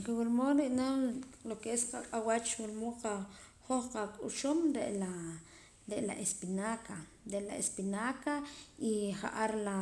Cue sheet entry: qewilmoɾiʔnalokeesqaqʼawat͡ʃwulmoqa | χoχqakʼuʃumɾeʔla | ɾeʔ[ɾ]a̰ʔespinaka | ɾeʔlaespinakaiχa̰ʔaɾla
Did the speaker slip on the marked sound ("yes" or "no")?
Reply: yes